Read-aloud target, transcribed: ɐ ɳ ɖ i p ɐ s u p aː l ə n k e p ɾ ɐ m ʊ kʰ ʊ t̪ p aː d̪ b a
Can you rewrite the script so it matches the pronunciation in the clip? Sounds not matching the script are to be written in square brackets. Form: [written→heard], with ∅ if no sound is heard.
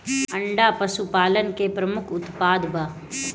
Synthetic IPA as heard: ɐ ɳ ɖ [i→a] p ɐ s u p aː l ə n k e p ɾ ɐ m ʊ kʰ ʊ t̪ p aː d̪ b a